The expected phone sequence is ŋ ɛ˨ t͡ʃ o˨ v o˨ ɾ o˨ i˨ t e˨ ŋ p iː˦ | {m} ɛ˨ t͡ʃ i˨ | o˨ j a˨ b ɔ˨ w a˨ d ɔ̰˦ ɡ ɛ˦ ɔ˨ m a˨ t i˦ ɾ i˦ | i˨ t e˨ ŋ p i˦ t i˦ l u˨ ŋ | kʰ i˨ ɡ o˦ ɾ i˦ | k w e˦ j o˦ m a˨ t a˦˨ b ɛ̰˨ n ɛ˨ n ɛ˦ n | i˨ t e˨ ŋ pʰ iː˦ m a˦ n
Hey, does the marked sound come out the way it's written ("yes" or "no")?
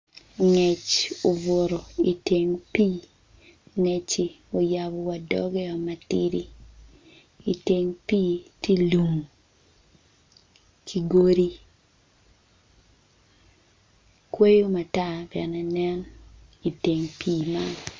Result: no